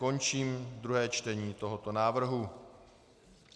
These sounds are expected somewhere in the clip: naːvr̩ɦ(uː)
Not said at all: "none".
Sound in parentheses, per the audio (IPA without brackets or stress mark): u